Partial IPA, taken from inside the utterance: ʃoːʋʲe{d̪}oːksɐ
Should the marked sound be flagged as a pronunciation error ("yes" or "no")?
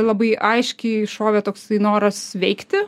yes